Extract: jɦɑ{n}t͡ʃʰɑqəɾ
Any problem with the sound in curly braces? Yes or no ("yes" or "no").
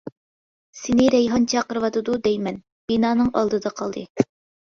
no